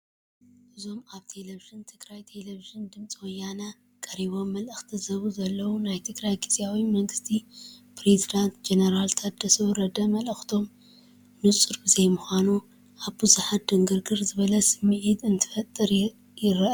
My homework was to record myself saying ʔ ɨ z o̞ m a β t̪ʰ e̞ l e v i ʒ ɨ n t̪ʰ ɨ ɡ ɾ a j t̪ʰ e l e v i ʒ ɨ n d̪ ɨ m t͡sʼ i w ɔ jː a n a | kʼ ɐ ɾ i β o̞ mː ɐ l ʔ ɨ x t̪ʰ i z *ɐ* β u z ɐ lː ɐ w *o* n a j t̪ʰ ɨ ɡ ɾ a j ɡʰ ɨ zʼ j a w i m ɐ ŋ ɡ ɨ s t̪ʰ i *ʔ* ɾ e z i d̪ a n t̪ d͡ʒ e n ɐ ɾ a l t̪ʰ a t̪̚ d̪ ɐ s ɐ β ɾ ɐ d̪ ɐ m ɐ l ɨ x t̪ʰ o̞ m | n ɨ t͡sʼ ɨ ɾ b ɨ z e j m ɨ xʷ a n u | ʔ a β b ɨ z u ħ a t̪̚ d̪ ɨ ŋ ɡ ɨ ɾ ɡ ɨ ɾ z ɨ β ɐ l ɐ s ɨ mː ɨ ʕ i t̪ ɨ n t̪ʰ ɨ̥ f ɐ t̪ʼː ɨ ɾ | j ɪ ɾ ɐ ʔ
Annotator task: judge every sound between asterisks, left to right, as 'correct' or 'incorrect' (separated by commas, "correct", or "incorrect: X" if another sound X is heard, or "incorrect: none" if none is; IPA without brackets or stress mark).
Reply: correct, incorrect: u, incorrect: p